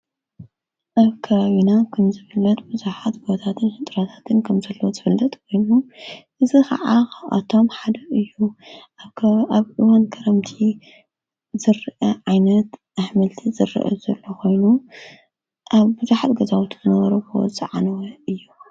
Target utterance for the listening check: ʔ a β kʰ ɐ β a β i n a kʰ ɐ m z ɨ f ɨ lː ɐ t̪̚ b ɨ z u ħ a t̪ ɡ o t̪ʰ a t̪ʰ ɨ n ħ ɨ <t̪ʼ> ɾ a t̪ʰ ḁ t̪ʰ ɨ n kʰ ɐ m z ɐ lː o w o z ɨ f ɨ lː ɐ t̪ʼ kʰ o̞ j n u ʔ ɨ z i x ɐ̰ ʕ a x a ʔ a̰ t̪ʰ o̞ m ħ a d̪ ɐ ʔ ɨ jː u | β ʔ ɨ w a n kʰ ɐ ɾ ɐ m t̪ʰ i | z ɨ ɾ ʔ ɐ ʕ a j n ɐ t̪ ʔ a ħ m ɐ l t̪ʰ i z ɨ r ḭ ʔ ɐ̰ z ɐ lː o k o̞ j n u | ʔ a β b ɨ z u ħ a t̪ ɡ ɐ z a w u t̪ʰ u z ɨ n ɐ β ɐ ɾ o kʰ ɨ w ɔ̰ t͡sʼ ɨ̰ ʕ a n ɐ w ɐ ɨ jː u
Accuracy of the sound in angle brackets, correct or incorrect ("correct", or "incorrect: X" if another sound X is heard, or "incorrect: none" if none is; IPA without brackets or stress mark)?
correct